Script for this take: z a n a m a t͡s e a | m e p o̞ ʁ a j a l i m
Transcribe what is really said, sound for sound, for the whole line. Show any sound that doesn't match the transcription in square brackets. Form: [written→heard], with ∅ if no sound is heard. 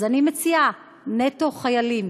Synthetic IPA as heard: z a n [a→i] m [a→e] t͡s [e→i] a | [m→n] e [p→t] o̞ [ʁ→χ] a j a l i m